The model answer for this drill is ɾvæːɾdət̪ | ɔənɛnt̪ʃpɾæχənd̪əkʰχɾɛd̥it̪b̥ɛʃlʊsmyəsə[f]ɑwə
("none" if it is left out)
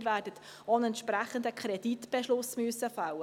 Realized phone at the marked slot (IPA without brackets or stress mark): f